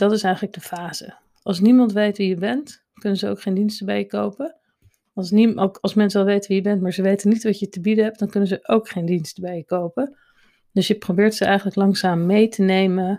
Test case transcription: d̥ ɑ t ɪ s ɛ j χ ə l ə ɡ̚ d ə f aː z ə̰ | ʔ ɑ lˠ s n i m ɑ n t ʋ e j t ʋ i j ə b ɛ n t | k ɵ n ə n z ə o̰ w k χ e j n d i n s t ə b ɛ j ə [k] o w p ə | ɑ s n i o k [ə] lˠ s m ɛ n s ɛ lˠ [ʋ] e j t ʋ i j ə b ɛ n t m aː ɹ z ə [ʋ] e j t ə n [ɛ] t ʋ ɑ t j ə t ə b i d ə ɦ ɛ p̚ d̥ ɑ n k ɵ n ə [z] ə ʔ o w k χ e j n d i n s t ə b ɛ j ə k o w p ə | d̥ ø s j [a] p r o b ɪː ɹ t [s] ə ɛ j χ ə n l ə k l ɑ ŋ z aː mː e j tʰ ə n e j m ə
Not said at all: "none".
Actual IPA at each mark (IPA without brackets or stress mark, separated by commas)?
k, ɑ, ʋ, ʋ, i, z, ə, s